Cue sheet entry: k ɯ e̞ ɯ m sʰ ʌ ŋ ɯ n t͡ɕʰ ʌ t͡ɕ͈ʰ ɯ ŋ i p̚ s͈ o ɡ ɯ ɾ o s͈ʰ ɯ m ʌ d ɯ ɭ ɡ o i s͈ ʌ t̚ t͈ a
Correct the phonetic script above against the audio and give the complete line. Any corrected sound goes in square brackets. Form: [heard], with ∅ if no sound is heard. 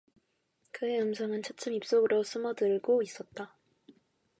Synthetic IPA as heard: k ɯ e̞ ɯ m sʰ ʌ ŋ ɯ n t͡ɕʰ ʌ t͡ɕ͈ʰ ɯ [m] i p̚ s͈ o ɡ ɯ ɾ o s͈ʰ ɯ m ʌ d ɯ ɭ ɡ o i s͈ ʌ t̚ t͈ a